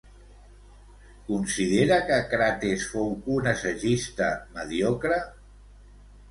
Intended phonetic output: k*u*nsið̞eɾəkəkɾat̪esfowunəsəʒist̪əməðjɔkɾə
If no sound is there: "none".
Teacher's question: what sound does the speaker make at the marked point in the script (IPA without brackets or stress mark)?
u